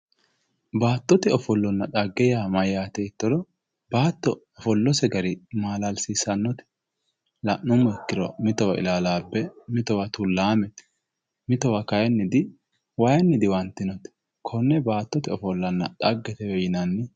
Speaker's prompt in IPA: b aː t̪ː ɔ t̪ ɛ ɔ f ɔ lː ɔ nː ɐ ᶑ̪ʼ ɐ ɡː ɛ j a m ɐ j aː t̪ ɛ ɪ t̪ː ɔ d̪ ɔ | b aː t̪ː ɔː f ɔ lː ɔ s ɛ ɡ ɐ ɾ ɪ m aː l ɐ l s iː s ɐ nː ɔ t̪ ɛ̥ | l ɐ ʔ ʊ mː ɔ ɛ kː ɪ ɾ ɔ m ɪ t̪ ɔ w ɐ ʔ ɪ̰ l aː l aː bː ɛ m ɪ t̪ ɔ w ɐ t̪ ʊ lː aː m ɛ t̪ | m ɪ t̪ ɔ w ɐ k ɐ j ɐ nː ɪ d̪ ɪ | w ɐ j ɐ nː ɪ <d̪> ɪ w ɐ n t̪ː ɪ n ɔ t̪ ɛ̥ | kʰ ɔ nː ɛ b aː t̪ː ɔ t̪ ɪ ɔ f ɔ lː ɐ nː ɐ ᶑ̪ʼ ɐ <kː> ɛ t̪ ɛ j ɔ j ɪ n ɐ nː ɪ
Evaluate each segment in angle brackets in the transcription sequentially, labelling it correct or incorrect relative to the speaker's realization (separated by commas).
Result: correct, incorrect